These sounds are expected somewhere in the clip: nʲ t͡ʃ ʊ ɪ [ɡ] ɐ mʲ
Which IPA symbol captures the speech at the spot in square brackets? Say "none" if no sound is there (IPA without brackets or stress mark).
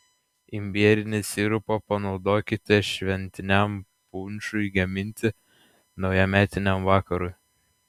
ɡ